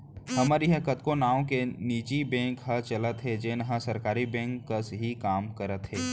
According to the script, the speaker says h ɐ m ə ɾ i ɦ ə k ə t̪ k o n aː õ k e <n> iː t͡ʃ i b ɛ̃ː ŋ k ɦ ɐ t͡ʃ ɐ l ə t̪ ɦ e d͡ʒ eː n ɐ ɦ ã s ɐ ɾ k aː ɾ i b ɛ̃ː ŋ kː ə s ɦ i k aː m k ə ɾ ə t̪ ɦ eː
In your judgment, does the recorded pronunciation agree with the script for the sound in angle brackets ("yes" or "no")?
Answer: yes